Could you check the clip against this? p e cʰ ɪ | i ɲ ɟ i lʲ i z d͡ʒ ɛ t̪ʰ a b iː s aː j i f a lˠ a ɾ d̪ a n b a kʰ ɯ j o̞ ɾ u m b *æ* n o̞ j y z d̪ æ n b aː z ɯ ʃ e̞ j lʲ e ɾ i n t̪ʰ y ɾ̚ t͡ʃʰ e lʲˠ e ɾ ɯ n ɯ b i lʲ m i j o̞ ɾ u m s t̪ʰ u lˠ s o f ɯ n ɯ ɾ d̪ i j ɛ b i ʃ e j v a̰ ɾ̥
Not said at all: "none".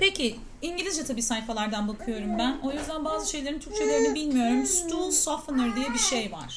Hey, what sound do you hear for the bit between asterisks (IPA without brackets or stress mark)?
æ